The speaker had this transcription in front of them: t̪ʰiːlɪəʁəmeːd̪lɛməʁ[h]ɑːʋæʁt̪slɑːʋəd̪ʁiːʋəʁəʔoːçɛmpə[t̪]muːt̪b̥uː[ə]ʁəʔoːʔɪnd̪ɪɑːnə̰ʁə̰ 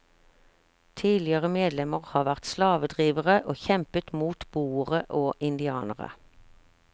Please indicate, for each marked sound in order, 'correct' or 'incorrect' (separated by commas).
correct, correct, correct